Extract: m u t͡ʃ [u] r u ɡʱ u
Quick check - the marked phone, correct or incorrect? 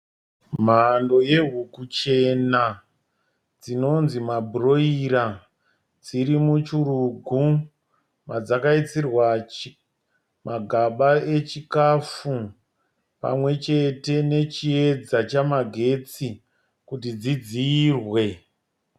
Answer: correct